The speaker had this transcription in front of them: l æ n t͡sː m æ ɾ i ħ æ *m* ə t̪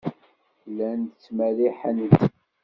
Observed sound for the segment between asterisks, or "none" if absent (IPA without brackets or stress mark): n